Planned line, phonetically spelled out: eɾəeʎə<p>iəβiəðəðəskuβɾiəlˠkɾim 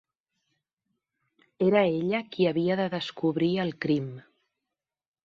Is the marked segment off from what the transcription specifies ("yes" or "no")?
yes